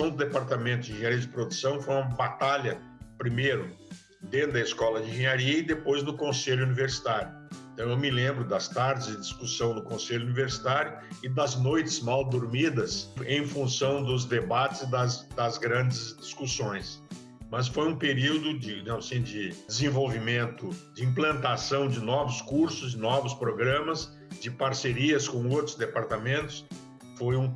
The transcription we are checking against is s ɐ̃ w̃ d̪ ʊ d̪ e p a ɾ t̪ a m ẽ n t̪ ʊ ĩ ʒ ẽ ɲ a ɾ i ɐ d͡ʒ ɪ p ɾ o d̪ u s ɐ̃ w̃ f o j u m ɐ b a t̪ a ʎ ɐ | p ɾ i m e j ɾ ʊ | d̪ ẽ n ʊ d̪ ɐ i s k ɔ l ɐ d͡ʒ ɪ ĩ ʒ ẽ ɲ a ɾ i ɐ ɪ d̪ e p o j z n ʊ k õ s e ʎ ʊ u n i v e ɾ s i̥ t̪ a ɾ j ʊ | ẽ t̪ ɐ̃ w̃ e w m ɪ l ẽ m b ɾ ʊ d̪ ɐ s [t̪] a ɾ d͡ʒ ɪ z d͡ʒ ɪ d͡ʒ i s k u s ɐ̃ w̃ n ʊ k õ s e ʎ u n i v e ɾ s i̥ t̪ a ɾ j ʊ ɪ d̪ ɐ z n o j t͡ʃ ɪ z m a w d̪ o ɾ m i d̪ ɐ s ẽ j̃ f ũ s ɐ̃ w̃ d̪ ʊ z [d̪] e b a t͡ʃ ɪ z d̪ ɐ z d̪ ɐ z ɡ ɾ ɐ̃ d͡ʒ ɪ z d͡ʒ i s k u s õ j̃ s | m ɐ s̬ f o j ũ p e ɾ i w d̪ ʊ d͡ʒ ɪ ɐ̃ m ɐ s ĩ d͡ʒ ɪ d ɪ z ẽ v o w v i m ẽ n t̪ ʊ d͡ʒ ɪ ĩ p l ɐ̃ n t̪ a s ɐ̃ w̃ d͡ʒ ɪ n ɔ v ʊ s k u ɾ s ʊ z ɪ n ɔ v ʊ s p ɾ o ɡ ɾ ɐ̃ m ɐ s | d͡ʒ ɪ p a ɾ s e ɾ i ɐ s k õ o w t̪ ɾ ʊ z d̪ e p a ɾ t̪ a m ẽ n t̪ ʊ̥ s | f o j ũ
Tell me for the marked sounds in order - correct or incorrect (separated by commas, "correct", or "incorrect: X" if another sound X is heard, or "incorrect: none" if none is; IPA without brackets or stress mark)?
correct, correct